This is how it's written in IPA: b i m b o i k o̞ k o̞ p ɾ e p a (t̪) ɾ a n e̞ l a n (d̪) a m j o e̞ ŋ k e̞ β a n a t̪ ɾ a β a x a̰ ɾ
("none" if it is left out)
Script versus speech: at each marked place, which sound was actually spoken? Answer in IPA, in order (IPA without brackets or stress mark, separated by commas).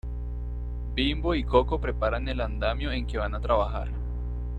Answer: none, d̪